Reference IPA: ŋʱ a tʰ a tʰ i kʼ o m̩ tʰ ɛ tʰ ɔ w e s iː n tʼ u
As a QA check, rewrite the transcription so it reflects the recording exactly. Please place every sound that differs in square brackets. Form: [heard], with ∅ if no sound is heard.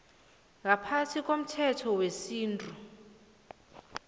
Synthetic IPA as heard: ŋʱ a [pʰ] a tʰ i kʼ o m̩ tʰ ɛ tʰ ɔ w e s iː n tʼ u

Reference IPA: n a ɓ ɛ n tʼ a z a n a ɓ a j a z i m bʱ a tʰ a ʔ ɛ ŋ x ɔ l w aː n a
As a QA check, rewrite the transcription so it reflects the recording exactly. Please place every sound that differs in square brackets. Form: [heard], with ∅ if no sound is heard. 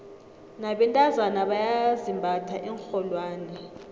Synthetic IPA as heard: n a ɓ ɛ n tʼ a z a n a ɓ a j a z i m bʱ a tʰ a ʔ ɛ ŋ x ɔ l w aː n [ɛ]

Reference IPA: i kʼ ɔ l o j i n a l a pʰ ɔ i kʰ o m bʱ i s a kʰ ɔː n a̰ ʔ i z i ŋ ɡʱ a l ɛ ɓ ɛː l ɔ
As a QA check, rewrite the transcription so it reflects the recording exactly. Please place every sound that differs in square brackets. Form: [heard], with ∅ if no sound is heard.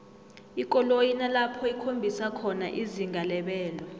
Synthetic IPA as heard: i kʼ ɔ l o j i n a l a pʰ ɔ i kʰ o m bʱ i s a kʰ [ɔ] n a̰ ʔ i z i ŋ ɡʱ a l ɛ ɓ ɛː l ɔ

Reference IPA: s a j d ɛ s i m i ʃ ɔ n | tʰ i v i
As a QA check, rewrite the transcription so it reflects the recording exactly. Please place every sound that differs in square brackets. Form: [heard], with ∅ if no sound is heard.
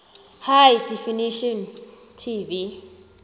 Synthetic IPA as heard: [h] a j d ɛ [f] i [n] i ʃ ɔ n | tʰ i v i

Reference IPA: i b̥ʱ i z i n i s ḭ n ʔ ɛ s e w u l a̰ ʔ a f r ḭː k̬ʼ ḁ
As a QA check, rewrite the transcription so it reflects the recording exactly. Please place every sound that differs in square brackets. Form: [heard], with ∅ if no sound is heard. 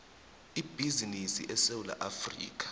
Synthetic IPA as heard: i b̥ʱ i z i n i s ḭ [∅] ʔ ɛ s e w u l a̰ ʔ a f r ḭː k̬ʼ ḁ

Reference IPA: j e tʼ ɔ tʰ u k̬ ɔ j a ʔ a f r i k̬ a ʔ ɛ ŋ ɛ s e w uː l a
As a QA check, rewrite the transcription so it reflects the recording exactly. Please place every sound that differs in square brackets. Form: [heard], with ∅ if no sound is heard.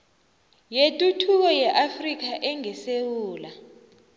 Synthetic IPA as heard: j e tʼ [u] tʰ u k̬ ɔ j [ɛ] ʔ a f r i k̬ a ʔ ɛ ŋ ɛ s e w uː l a

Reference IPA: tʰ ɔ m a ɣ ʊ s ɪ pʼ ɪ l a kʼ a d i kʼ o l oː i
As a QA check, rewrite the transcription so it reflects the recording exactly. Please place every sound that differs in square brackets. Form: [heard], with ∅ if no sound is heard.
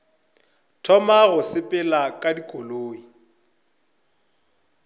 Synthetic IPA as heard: tʰ ɔ m a ɣ ʊ s ɪ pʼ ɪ l a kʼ a d i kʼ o l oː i

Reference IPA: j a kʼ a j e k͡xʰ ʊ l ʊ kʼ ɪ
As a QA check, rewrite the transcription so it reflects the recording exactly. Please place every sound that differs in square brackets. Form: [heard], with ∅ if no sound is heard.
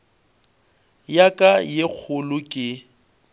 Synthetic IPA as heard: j a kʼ a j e k͡xʰ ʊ l ʊ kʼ ɪ

